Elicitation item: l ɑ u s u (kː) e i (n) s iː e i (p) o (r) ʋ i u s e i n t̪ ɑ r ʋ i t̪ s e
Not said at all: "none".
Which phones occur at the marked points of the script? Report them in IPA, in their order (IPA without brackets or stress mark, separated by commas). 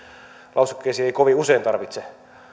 kː, none, k, none